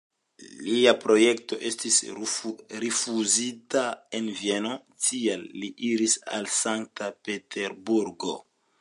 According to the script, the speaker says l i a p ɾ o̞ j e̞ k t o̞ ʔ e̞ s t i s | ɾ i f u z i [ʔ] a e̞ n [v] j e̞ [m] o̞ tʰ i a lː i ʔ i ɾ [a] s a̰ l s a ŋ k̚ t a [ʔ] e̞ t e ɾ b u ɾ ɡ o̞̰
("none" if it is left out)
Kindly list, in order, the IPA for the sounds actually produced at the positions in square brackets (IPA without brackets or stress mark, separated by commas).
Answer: t, v, n, i, p